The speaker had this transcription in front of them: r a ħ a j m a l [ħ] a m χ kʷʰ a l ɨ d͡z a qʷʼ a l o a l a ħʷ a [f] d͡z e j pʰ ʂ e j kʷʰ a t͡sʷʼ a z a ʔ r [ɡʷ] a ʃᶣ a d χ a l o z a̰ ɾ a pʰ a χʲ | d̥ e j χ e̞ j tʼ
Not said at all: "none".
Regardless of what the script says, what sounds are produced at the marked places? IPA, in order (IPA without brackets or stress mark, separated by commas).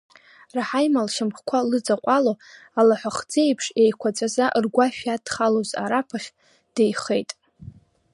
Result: ʃ, χ, ɡʷ